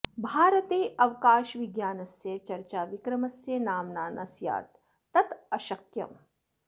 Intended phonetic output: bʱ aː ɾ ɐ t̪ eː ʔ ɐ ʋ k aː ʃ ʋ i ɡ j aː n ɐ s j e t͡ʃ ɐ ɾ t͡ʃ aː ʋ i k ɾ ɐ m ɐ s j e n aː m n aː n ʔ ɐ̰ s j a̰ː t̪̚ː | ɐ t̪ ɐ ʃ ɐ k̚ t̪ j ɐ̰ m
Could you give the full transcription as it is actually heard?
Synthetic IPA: bʱ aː ɾ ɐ t̪ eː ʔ ɐ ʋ k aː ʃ ʋ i ɡ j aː n ɐ s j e t͡ʃ ɐ ɾ t͡ʃ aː ʋ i k ɾ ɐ m ɐ s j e n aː m n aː n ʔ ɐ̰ s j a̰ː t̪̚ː | ɐ t̪ ɐ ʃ ɐ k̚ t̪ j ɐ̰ m